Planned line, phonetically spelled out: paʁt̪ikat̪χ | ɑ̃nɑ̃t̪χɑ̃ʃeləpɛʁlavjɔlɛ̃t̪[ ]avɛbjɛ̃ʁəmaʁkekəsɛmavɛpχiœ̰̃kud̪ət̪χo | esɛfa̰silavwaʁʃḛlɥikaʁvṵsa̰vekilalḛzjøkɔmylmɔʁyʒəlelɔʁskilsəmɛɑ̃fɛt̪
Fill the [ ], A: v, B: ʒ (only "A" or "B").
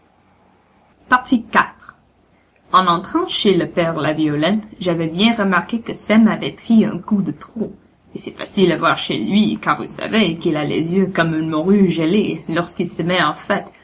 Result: B